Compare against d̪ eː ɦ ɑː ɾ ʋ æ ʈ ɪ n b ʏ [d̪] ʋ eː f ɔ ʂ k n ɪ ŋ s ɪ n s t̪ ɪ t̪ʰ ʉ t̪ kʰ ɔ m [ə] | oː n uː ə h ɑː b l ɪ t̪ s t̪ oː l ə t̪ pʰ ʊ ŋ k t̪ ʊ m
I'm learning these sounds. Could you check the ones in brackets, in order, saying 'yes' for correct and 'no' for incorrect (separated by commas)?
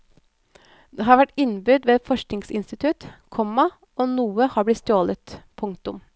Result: yes, no